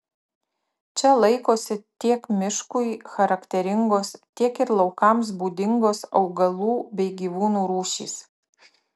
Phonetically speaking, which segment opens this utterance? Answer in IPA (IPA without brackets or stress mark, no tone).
t͡ʃʲ